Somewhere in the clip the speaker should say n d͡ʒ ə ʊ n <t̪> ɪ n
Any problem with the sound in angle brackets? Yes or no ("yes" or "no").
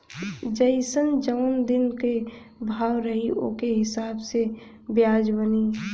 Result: yes